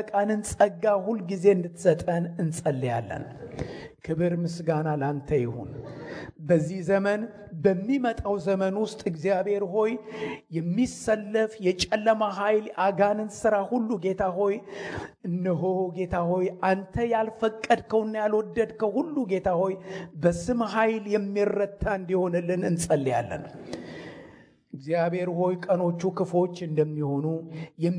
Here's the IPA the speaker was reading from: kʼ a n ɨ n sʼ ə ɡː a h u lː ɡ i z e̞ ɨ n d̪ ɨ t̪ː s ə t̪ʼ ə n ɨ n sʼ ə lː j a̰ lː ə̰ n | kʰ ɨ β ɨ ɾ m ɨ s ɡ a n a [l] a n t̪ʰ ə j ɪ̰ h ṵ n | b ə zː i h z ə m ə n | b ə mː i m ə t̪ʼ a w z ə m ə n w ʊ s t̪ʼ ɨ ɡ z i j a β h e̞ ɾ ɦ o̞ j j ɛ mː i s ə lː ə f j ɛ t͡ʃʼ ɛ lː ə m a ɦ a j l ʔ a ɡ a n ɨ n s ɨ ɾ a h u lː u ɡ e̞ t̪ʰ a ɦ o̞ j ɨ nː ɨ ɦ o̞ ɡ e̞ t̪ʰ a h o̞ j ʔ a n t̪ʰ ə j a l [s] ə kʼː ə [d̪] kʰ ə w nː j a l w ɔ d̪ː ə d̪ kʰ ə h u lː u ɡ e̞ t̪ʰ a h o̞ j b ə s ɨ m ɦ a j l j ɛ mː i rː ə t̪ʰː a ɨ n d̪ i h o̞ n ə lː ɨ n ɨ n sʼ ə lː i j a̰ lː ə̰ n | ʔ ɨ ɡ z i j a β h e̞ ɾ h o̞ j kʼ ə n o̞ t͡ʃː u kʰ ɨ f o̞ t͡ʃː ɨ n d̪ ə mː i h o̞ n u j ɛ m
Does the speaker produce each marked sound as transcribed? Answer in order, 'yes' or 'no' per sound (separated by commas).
yes, no, yes